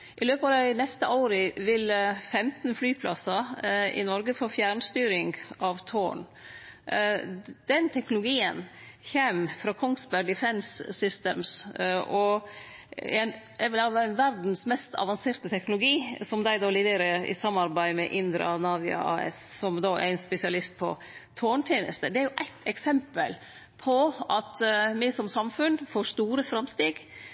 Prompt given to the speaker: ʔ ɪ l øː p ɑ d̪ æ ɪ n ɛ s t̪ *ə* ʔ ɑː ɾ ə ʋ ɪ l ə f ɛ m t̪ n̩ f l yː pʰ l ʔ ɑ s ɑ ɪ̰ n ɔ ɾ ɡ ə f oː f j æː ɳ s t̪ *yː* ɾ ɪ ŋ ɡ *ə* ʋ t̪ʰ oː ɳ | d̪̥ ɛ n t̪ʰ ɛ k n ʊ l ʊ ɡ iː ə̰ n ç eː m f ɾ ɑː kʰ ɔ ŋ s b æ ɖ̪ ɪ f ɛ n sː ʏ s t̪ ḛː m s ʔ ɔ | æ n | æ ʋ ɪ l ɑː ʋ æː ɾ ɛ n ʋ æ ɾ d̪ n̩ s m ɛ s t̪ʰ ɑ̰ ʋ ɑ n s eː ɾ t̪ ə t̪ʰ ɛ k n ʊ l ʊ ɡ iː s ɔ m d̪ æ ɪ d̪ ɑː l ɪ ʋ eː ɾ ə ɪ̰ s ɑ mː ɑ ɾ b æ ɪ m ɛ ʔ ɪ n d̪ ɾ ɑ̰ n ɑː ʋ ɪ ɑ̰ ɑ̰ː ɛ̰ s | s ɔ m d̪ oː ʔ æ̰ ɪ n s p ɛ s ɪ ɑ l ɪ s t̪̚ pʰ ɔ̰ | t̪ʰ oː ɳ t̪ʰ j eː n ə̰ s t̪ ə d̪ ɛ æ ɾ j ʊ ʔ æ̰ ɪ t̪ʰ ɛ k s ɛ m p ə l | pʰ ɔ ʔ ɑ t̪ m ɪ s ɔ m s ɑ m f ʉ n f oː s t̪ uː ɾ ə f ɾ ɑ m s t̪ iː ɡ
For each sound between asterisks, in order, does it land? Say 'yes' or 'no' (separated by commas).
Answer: yes, yes, no